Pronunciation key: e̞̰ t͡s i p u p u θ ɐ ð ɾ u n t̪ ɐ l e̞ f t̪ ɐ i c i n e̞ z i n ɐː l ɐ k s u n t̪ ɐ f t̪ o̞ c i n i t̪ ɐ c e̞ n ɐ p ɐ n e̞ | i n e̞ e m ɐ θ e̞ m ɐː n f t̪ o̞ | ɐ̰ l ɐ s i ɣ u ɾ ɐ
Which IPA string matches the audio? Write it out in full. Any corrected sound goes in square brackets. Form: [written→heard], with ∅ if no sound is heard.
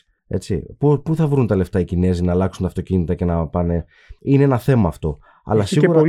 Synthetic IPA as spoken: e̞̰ t͡s i p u p u θ ɐ [ð→v] ɾ u n t̪ ɐ l e̞ f t̪ ɐ i c i n e̞ z i n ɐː l ɐ k s u n t̪ ɐ f t̪ o̞ c i n i t̪ ɐ c e̞ n ɐ p ɐ n e̞ | i n e̞ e [m→n] ɐ θ e̞ m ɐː [n→∅] f t̪ o̞ | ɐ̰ l ɐ s i ɣ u ɾ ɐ